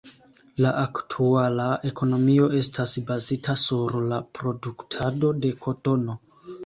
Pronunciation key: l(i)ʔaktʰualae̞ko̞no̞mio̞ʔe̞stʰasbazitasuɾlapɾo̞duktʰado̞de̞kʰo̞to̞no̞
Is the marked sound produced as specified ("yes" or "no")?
no